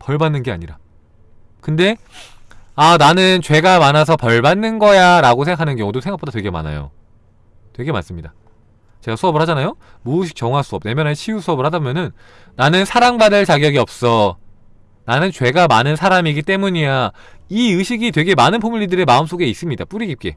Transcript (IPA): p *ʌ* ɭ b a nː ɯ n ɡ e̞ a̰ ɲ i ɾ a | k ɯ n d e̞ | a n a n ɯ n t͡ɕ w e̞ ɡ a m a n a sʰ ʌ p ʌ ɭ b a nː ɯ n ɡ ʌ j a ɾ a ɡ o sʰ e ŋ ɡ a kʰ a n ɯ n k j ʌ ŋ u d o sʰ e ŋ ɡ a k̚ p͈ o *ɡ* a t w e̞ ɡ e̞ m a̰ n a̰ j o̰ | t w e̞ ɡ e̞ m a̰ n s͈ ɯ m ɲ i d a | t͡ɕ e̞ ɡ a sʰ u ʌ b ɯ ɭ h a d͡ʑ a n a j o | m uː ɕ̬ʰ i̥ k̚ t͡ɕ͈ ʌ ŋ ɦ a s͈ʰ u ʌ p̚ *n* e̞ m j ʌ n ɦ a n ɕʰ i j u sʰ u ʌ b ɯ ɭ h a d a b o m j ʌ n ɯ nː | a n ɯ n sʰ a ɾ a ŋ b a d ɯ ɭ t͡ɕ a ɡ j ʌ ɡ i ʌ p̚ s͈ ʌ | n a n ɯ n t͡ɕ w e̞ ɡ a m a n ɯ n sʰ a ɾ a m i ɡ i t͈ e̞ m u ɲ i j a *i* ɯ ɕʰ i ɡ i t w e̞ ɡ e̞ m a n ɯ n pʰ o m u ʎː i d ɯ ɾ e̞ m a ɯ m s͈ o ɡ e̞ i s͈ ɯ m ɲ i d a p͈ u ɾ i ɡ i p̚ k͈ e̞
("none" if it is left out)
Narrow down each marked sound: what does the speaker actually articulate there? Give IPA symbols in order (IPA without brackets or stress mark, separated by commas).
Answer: ʌ, d, n, i